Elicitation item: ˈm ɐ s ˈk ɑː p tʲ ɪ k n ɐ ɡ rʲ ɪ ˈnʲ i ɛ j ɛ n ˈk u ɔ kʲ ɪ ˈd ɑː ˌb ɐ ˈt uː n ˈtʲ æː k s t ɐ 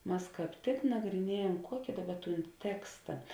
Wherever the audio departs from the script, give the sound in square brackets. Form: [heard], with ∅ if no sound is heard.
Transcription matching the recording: ˈm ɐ s ˈk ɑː p tʲ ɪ k n ɐ ɡ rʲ ɪ ˈnʲ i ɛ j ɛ [m] ˈk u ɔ kʲ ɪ ˈd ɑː ˌb ɐ ˈt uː n ˈtʲ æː k s t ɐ